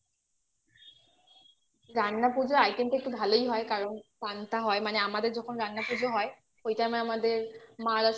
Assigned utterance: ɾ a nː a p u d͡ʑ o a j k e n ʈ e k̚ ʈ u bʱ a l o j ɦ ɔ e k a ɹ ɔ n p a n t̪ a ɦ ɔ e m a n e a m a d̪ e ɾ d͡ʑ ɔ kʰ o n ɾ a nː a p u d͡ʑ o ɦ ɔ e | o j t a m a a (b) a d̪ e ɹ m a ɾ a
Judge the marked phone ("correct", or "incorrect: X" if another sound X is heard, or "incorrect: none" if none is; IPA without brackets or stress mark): incorrect: m